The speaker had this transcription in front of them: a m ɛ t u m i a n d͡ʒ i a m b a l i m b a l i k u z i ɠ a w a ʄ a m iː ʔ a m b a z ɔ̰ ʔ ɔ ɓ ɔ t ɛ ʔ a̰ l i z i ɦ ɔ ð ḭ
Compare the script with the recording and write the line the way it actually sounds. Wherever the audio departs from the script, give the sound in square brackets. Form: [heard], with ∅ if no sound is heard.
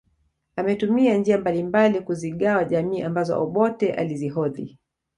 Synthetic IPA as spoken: a m ɛ t u m i a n d͡ʒ i a m b a l i m b a l i k u z i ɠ a w a ʄ a m iː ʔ a m b a z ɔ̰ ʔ ɔ ɓ ɔ t ɛ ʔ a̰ l i z i ɦ ɔ ð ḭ